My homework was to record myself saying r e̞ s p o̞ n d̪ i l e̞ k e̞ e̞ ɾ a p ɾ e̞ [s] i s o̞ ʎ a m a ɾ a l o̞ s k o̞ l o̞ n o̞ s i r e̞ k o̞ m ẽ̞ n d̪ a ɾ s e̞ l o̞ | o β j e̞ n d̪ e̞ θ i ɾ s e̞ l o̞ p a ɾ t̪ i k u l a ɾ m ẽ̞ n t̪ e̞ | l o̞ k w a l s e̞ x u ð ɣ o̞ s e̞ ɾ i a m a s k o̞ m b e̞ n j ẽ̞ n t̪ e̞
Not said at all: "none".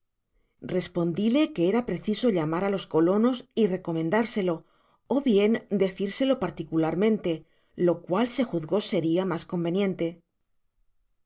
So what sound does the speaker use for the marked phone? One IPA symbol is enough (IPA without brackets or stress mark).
θ